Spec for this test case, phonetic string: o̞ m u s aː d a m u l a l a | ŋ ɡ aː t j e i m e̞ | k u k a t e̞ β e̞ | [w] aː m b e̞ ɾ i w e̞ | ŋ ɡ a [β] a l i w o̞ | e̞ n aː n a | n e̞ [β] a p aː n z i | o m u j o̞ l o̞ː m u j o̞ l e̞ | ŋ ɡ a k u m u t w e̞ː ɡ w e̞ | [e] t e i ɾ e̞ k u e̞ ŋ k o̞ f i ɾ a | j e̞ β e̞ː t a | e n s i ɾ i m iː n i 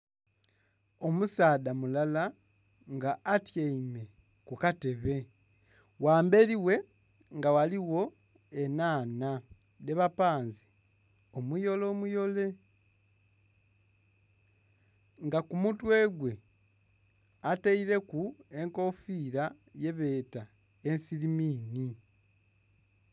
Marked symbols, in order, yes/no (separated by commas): yes, no, yes, no